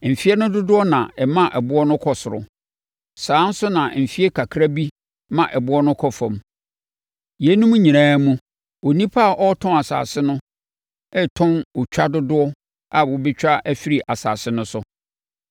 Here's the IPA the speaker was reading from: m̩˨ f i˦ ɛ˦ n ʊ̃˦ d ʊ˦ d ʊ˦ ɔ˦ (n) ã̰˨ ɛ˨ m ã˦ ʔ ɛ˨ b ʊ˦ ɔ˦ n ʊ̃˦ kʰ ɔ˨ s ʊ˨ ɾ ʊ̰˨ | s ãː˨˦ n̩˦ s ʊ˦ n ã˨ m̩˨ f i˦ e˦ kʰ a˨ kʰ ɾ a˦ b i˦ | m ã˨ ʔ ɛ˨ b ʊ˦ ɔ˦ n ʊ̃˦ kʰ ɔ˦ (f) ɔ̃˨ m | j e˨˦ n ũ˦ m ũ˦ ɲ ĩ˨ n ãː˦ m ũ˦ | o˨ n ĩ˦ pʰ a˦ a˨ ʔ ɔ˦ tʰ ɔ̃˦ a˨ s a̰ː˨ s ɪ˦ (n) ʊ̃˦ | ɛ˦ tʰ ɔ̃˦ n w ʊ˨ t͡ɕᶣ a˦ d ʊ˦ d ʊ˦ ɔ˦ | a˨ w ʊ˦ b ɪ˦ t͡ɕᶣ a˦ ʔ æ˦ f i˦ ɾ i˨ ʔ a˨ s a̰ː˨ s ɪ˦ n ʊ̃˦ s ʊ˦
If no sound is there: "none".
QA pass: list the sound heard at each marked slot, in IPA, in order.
n, f, n

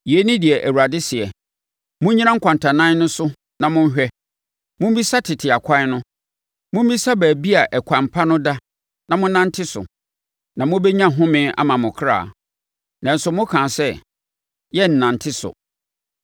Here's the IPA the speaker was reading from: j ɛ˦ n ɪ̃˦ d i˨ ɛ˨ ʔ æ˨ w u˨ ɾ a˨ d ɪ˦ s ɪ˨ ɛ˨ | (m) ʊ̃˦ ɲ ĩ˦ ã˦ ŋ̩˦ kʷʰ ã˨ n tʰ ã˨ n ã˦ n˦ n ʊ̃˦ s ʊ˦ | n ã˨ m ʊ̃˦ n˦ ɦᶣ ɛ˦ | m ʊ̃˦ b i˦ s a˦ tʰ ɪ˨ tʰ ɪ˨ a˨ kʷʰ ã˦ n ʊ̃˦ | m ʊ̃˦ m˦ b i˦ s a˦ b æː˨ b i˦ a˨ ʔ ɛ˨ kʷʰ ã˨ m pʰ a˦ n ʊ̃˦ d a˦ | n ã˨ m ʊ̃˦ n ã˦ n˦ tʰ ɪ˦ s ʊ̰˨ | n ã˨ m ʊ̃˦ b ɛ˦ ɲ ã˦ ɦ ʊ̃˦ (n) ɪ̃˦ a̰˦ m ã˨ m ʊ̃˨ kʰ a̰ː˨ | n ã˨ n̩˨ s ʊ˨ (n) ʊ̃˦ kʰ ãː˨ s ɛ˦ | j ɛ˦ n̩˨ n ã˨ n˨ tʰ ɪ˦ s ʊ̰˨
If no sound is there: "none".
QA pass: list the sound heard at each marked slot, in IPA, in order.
m, m, m

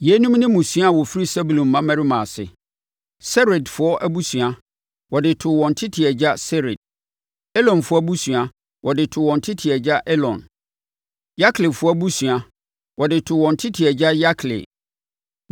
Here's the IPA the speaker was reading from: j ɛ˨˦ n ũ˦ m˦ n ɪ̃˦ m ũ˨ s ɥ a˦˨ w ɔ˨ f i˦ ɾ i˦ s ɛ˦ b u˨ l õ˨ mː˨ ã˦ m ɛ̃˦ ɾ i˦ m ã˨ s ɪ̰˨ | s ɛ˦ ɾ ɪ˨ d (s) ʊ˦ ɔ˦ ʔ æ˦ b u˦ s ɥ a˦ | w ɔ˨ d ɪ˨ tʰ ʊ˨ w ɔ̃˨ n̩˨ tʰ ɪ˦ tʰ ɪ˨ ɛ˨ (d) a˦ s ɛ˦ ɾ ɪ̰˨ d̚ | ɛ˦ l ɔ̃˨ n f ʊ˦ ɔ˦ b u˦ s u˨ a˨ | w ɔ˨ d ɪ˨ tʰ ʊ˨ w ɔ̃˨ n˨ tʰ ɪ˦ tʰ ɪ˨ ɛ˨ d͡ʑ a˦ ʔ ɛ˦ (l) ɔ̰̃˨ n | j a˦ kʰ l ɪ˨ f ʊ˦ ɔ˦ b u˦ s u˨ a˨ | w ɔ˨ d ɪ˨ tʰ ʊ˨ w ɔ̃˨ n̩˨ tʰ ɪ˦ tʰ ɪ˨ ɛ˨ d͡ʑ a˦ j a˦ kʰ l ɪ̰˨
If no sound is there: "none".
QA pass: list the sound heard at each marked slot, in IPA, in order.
f, d͡ʑ, l

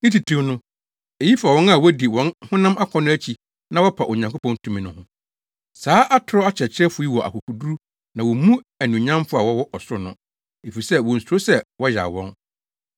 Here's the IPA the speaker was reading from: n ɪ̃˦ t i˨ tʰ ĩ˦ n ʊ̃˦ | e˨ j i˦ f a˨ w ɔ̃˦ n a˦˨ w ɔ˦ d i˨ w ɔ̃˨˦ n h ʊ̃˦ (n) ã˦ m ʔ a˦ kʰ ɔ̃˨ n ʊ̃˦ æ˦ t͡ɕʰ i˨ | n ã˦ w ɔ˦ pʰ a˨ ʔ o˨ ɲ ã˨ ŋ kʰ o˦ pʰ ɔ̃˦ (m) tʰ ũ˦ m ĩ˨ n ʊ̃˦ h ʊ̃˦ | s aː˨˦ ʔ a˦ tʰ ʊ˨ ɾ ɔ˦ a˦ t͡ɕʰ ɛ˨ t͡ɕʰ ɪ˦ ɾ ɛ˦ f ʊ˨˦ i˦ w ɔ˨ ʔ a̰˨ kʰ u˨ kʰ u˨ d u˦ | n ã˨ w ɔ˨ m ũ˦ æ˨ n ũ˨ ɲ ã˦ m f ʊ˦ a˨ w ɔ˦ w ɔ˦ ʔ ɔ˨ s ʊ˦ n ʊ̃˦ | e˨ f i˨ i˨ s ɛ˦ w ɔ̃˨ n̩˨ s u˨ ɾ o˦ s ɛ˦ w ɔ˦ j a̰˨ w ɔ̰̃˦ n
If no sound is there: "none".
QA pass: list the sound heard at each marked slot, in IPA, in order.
n, n

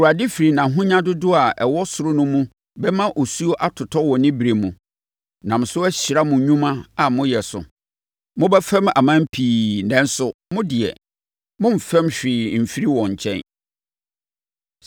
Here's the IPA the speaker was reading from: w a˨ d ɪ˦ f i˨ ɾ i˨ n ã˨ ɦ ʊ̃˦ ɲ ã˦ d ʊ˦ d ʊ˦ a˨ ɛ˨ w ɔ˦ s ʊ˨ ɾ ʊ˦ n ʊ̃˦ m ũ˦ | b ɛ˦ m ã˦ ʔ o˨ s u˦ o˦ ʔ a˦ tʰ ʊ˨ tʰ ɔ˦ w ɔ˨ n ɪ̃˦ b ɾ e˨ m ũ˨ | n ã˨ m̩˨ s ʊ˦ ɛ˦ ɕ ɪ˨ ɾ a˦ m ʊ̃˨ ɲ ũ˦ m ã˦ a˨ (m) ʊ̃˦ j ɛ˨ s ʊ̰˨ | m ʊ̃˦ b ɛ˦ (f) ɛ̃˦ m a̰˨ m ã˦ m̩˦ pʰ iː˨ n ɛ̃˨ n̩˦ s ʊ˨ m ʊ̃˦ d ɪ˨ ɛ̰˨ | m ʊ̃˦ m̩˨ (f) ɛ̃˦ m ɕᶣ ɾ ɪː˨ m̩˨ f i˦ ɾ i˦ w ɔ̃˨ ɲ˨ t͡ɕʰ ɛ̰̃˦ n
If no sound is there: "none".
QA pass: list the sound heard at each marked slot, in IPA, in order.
m, f, f

